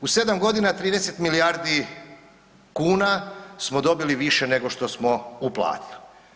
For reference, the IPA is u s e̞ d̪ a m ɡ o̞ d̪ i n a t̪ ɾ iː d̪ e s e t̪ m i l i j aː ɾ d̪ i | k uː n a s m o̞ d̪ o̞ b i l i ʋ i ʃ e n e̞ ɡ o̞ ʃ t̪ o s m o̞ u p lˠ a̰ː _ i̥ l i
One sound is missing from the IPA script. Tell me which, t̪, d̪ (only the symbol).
t̪